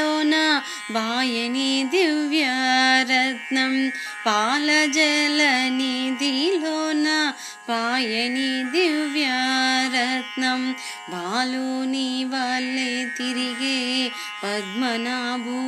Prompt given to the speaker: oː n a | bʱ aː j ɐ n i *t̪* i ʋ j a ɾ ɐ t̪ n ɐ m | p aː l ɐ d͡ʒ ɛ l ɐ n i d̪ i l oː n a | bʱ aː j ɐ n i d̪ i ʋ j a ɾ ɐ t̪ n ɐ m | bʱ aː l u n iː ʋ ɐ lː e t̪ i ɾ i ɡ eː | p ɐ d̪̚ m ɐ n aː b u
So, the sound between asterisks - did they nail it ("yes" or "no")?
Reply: no